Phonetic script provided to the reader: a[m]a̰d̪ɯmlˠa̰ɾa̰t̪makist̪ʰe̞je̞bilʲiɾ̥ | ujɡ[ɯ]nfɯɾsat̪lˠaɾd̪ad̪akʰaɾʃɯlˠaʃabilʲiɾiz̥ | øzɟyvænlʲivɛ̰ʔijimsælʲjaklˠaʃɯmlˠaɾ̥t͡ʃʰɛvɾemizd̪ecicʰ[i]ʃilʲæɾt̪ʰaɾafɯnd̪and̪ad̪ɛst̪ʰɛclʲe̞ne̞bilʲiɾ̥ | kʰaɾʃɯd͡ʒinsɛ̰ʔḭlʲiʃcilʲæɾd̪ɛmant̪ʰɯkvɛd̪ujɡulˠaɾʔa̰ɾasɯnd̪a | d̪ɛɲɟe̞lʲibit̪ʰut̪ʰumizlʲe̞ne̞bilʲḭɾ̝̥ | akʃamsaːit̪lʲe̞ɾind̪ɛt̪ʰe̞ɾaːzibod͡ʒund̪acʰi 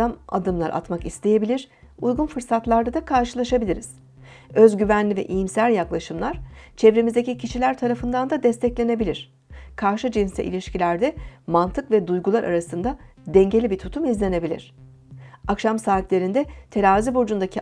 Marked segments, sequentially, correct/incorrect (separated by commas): correct, incorrect, correct